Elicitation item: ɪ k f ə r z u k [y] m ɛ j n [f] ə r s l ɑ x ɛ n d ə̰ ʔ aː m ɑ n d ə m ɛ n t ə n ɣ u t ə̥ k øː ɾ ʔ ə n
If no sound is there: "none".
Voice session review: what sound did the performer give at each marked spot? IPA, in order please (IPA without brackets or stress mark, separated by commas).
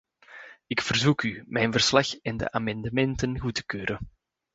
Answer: y, v